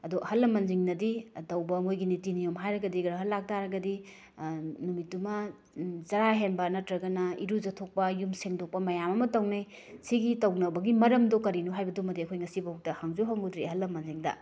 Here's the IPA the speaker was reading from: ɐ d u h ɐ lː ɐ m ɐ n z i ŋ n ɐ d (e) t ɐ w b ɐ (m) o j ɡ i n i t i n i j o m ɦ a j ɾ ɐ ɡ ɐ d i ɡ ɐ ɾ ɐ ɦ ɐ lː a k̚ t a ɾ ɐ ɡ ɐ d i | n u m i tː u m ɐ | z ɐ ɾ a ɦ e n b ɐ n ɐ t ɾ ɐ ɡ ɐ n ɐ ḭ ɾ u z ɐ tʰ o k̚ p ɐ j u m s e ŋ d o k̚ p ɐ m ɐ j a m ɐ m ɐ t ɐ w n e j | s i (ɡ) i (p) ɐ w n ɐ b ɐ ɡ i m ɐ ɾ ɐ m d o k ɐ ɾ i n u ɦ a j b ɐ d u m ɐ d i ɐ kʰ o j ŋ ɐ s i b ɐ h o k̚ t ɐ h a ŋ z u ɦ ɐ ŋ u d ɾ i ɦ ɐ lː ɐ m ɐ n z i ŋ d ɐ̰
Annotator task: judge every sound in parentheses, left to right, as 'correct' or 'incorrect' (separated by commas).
incorrect, correct, correct, incorrect